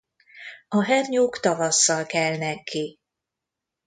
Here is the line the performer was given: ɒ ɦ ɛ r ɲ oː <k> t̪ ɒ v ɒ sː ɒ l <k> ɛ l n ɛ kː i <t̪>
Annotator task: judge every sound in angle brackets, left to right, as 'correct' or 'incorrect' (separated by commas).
correct, correct, incorrect